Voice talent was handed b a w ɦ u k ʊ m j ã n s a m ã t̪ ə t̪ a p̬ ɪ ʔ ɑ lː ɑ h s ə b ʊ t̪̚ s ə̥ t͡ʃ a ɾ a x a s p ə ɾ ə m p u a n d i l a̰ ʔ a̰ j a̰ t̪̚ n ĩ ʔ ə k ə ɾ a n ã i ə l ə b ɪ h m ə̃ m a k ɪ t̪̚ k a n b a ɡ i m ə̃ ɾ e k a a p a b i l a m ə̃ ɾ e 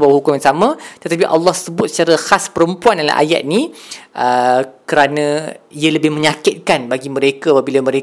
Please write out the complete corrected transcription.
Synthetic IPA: b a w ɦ u k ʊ m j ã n s a m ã t̪ ə t̪ a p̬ i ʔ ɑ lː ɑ h s ə b ʊ t̪̚ s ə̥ t͡ʃ a ɾ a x a s p ə ɾ ə m p u a n d a l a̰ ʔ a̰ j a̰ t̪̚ n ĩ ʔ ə k ə ɾ a n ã i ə l ə b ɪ h m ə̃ ɲ a k ɪ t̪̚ k a n b a ɡ i m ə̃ ɾ e k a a p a b i l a m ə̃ ɾ e